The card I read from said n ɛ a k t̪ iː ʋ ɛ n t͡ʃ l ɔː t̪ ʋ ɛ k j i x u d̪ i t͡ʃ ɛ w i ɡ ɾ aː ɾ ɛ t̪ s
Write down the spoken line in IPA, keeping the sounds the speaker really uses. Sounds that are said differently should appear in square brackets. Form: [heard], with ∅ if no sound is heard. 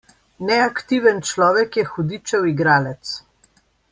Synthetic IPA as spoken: n ɛ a k t̪ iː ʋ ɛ n t͡ʃ l ɔː [∅] ʋ ɛ k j [ɛ] x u d̪ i t͡ʃ ɛ w i ɡ ɾ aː [l] ɛ t̪ s